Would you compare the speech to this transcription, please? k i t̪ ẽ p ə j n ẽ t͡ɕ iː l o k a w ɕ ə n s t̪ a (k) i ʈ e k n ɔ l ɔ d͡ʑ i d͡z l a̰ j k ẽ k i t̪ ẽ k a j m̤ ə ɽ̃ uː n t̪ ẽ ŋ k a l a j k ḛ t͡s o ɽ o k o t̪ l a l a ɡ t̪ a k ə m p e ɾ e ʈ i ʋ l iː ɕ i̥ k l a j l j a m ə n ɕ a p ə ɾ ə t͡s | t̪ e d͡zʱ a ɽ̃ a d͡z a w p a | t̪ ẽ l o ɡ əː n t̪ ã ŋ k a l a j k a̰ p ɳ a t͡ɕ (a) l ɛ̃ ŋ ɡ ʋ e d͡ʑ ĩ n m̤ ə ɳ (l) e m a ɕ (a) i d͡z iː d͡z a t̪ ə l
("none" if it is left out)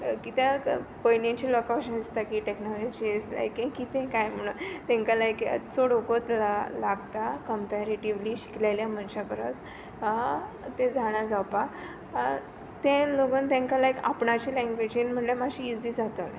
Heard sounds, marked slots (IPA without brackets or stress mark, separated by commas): k, i, l, i